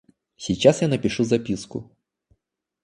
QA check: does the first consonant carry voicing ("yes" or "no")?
no